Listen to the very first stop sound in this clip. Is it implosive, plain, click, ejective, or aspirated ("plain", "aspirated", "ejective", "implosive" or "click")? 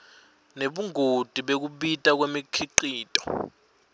implosive